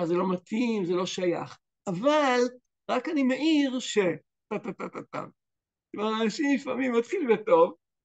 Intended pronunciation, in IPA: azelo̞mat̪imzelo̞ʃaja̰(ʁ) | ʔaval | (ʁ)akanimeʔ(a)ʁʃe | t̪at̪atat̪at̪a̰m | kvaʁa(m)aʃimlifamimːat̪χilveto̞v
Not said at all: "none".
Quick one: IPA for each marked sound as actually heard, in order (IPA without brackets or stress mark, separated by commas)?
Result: χ, ʁ, i, n